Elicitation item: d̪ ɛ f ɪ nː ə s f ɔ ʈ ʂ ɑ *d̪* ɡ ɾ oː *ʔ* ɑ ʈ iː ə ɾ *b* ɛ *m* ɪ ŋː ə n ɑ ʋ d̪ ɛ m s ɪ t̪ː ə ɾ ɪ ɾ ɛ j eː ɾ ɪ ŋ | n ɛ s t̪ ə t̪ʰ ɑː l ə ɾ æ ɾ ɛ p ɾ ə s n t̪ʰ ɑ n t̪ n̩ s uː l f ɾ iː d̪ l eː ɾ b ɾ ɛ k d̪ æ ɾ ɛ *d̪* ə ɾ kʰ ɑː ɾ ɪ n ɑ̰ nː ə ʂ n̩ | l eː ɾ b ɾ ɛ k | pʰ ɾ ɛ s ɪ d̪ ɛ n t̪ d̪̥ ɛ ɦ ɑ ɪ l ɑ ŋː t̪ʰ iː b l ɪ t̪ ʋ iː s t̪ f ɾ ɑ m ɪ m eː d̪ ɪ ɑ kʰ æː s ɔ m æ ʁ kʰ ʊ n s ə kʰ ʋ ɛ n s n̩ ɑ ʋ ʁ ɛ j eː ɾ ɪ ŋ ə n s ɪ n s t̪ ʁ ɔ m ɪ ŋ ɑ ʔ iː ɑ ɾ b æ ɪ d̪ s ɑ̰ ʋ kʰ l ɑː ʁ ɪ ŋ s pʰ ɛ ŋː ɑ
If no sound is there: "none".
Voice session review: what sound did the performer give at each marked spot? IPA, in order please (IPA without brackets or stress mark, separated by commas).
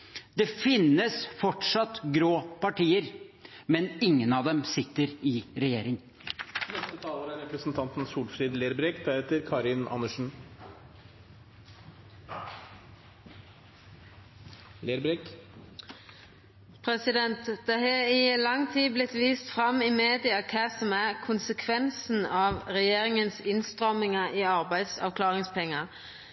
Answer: t̪, p, m, n, t̪